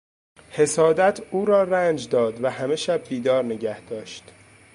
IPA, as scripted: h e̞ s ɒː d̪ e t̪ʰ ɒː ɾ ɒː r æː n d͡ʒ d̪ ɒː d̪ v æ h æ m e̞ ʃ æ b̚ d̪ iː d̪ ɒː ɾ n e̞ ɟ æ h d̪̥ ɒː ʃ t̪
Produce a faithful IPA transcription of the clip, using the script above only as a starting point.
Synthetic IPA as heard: h e̞ s ɒː d̪ æ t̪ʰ uː ɾ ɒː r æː n d͡ʒ d̪ ɒː d̪ v æ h æ m e̞ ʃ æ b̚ d̪ iː d̪ ɒː ɾ n e̞ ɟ æ h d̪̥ ɒː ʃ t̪